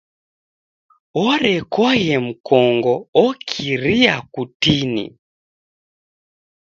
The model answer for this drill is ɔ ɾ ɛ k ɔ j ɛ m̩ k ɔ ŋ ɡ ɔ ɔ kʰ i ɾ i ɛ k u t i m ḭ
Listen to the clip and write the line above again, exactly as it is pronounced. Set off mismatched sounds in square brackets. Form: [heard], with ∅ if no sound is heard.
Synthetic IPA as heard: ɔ ɾ ɛ k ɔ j ɛ m̩ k ɔ ŋ ɡ ɔ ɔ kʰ i ɾ i [a] k u t i [n] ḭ